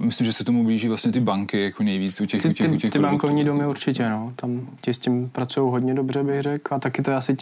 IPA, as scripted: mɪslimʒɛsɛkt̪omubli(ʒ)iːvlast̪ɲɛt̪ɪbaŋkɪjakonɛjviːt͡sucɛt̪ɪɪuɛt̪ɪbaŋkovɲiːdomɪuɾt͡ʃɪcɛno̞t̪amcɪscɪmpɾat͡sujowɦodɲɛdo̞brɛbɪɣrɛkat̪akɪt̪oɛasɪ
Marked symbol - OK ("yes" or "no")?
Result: yes